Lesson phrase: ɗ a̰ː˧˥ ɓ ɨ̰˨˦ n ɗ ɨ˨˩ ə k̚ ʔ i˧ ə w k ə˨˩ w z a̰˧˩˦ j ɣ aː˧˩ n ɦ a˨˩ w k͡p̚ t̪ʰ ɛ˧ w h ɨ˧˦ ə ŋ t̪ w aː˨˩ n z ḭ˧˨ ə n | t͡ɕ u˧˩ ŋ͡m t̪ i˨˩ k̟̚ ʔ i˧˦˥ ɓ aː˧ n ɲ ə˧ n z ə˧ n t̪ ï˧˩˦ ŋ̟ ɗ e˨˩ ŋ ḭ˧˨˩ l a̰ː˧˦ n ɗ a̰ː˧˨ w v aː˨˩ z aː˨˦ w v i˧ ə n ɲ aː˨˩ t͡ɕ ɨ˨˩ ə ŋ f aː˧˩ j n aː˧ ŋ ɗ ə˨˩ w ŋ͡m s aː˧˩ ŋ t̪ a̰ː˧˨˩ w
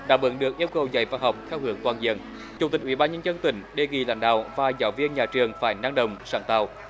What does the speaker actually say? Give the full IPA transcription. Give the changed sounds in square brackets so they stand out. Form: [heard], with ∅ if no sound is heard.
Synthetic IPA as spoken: ɗ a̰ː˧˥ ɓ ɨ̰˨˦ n ɗ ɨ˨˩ ə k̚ ʔ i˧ ə w k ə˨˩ w z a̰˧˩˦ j [v] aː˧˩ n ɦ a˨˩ w k͡p̚ t̪ʰ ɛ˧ w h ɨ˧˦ ə ŋ t̪ w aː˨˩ n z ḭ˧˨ ə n | t͡ɕ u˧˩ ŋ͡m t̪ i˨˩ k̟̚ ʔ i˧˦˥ ɓ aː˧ n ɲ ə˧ n z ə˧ n t̪ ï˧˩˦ ŋ̟ ɗ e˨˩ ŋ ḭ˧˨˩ l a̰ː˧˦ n ɗ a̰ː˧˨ w v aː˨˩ z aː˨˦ w v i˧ ə n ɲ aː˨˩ t͡ɕ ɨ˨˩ ə ŋ f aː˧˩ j n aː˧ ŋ ɗ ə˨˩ w ŋ͡m s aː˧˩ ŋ t̪ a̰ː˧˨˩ w

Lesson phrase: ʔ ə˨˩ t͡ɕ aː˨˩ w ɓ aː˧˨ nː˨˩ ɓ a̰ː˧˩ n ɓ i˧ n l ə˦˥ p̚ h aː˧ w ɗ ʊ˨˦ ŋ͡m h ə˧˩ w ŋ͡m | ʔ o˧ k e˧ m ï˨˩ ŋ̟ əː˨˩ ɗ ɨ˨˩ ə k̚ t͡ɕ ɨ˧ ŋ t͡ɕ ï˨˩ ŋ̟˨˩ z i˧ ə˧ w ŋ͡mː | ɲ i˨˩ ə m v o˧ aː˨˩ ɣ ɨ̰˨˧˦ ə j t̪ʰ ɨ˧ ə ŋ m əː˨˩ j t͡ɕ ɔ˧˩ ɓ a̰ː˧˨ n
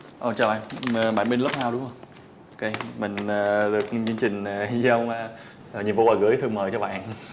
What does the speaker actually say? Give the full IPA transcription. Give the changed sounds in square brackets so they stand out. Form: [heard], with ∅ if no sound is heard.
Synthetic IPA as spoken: ʔ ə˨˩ t͡ɕ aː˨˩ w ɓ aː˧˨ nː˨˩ ɓ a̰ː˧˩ n ɓ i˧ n l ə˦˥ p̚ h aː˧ w ɗ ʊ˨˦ ŋ͡m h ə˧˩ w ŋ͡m | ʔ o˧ k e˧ m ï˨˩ ŋ̟ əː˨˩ ɗ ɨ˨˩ ə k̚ t͡ɕ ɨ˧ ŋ t͡ɕ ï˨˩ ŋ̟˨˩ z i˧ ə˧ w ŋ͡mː | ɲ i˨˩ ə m v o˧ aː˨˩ ɣ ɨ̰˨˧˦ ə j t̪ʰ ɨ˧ ə ŋ m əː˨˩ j t͡ɕ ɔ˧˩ ɓ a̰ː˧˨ n

